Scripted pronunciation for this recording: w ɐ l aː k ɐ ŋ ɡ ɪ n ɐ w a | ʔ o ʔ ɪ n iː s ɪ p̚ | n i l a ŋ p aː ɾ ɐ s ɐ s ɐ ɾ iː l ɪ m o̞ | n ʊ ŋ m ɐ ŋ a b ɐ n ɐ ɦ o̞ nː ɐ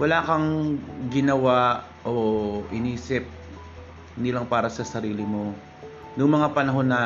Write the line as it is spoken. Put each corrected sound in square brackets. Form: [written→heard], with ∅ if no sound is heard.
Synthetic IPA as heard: w ɐ l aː k ɐ ŋ ɡ ɪ n ɐ w a | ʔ o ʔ ɪ n iː s ɪ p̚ | n [i→ɪ] l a ŋ p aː ɾ ɐ s ɐ s ɐ ɾ iː l ɪ m o̞ | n ʊ ŋ m ɐ ŋ a [b→p] ɐ n ɐ ɦ o̞ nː ɐ